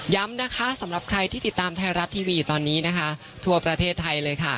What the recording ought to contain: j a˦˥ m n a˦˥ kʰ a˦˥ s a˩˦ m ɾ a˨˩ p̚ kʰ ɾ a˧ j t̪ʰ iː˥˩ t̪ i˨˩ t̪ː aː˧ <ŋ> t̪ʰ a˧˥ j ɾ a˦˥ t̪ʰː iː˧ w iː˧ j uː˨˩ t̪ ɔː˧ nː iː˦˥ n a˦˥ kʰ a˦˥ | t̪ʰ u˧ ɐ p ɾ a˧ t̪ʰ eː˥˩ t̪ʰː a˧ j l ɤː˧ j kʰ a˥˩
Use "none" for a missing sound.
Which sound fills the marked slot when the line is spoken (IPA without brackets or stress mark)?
m